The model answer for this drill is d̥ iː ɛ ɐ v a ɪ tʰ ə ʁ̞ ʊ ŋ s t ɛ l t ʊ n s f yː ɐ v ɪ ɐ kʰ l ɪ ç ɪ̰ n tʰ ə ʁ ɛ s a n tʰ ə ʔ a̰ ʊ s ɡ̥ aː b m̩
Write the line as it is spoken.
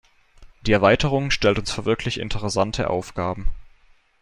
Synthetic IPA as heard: d̥ iː ɛ ɐ v a ɪ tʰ ə ʁ̞ ʊ ŋ ʃ t ɛ l t ʊ n s f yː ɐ v ɪ ɐ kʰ l ɪ ç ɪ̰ n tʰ ə ʁ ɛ s a n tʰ ə ʔ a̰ ʊ f ɡ̥ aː b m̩

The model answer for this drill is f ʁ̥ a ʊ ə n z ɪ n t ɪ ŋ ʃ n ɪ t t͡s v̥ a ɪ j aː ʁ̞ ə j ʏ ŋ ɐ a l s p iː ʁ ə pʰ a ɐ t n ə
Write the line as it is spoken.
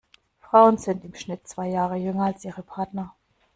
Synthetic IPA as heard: f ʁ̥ a ʊ ə n z ɪ n t ɪ m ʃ n ɪ t t͡s v̥ a ɪ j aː ʁ̞ ə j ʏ ŋ ɐ a l s ʔ iː ʁ ə pʰ a ɐ t n ɐ

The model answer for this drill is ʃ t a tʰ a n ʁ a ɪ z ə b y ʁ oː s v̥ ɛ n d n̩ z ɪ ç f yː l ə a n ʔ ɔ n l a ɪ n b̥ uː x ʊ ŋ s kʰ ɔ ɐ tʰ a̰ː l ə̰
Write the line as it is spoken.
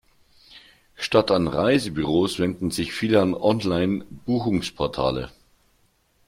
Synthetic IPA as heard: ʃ t a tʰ a n ʁ a ɪ z ə b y ʁ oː s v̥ ɛ n d n̩ z ɪ ç f iː l ə a n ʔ ɔ n l a ɪ n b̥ uː x ʊ ŋ s pʰ ɔ ɐ tʰ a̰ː l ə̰

